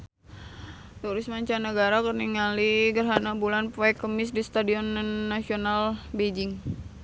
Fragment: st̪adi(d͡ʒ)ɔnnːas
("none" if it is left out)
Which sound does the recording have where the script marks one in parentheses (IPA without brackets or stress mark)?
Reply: none